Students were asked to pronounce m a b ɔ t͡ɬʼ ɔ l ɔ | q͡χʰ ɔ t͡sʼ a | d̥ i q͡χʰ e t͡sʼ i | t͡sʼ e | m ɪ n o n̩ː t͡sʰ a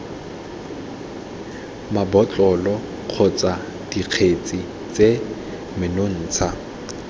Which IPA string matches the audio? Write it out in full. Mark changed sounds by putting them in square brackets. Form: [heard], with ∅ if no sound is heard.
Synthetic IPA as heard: m a b ɔ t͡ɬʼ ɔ l ɔ | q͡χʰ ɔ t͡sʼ a | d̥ i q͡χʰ e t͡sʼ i | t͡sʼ e | m ɪ n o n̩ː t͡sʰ a